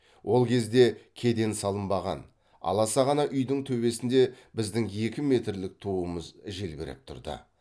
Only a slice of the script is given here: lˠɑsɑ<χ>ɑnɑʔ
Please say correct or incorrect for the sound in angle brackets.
incorrect